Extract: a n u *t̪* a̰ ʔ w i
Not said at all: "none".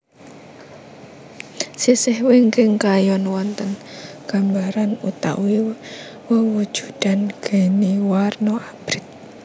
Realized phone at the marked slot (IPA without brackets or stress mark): t̪